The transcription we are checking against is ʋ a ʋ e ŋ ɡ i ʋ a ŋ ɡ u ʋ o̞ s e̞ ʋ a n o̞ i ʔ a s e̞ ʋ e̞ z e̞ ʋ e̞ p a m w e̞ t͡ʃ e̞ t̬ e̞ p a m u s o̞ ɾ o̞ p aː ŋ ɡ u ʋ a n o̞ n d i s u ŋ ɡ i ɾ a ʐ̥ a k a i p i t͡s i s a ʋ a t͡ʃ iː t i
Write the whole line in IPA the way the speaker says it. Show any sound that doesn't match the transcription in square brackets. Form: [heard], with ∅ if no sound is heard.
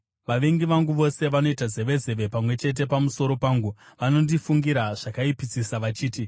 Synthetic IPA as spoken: ʋ a ʋ e ŋ ɡ i ʋ a ŋ ɡ u ʋ o̞ s e̞ ʋ a n o̞ i [t] a [z] e̞ ʋ e̞ z e̞ ʋ e̞ p a m w e̞ t͡ʃ e̞ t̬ e̞ p a m u s o̞ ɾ o̞ p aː ŋ ɡ u ʋ a n o̞ n d i [f] u ŋ ɡ i ɾ a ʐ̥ a k a i p i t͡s i s a ʋ a t͡ʃ iː t i